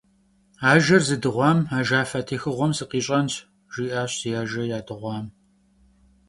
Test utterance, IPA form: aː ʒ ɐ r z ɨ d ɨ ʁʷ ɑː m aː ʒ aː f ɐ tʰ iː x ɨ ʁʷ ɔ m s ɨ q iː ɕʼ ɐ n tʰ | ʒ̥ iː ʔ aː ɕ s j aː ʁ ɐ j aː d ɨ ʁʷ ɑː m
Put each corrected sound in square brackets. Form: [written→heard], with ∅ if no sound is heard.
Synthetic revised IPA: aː ʒ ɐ r z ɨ d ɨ ʁʷ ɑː m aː ʒ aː f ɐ tʰ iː x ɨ ʁʷ ɔ m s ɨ q iː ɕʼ ɐ n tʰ | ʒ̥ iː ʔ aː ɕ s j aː [ʁ→ʒ] ɐ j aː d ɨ ʁʷ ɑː m

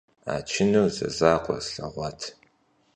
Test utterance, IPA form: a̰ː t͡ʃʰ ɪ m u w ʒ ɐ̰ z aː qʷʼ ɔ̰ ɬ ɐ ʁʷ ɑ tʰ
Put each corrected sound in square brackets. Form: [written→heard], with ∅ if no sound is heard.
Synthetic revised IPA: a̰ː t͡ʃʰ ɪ [m→n] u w [ʒ→z] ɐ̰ z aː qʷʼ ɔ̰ ɬ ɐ ʁʷ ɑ tʰ

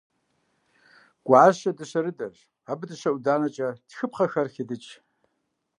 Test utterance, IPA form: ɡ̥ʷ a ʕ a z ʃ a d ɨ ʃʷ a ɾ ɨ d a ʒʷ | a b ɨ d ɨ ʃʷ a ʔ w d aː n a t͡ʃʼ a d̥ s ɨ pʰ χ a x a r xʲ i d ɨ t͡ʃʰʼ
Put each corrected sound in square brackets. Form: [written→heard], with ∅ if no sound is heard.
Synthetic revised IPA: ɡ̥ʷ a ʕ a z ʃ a d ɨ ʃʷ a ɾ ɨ d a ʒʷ | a b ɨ d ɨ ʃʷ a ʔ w d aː n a t͡ʃʼ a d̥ [s→x] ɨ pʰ χ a x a r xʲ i d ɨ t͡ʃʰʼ

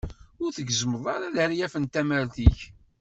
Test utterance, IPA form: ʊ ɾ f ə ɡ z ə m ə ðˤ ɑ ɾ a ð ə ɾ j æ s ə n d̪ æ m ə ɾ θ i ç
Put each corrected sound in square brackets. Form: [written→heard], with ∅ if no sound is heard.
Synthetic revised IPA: ʊ ɾ [f→θ] ə ɡ z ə m ə ðˤ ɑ ɾ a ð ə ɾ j æ [s→f] ə n [d̪→t̪] æ m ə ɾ θ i ç

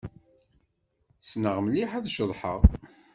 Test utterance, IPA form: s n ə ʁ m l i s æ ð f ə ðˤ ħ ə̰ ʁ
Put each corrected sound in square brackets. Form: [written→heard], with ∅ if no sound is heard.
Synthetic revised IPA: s n ə ʁ m l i [s→ħ] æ ð [f→ʃ] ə ðˤ ħ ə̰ ʁ

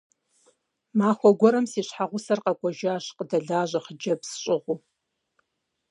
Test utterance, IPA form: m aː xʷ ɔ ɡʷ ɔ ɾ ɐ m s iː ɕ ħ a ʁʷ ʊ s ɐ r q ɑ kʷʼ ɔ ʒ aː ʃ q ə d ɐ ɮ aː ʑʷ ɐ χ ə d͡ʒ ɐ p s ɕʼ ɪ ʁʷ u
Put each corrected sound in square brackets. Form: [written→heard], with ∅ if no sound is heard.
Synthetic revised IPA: m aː xʷ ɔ ɡʷ ɔ ɾ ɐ m s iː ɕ ħ a ʁʷ ʊ s ɐ r q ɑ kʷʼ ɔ ʒ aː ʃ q ə d ɐ ɮ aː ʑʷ ɐ χ ə d͡ʒ ɐ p s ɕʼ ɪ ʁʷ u

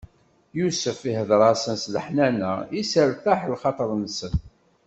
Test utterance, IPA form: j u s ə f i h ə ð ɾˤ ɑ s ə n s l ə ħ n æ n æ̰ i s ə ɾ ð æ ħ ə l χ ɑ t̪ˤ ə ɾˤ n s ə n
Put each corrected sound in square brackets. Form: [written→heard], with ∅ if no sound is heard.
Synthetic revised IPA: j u s ə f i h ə ð ɾˤ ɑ s ə n s l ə ħ n æ n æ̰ i s ə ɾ [ð→θ] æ ħ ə l χ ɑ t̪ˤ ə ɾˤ n s ə n

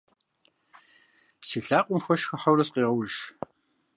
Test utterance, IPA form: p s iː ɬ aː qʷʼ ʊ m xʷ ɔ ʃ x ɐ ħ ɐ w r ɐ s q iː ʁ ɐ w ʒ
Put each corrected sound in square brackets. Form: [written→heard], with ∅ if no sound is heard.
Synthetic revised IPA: p s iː ɬ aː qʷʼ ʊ m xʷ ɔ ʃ x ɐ ħ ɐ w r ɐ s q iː ʁ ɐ w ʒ

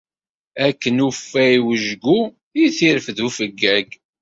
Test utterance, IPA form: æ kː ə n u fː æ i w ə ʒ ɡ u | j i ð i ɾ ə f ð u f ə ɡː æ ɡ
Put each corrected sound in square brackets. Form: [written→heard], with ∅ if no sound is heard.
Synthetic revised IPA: æ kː ə n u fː æ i w ə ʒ ɡ u | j i [ð→θ] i ɾ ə f ð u f ə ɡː æ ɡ

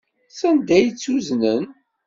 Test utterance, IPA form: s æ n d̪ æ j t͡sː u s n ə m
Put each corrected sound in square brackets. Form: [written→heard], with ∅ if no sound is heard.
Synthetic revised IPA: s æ n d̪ æ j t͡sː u [s→z] n ə [m→n]

